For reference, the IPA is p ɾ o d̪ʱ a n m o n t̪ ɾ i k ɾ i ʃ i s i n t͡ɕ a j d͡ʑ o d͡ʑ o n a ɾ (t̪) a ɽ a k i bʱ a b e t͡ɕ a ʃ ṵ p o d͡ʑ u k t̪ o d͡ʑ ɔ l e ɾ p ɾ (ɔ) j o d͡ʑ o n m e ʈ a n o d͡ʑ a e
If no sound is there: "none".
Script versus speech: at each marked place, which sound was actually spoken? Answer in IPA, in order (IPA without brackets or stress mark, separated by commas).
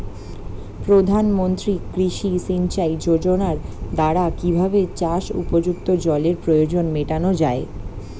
d̪, o